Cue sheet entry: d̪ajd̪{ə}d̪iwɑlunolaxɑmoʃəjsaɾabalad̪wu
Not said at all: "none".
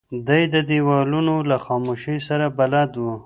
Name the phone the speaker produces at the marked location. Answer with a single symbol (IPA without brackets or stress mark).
ə